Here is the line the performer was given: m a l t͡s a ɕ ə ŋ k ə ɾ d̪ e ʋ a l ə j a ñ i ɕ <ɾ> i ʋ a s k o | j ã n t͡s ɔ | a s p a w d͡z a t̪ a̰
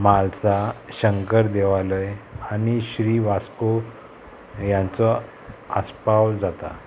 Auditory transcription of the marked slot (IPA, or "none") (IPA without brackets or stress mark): ɾ